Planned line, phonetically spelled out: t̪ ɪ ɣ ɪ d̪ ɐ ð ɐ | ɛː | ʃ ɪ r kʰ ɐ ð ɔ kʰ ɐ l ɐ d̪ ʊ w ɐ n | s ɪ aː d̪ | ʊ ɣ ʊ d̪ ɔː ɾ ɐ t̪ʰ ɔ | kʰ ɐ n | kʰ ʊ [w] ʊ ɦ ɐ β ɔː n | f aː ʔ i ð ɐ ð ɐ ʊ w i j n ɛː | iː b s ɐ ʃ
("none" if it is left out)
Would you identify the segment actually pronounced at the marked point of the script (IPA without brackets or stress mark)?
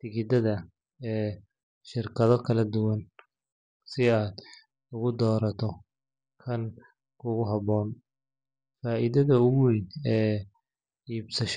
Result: ɣ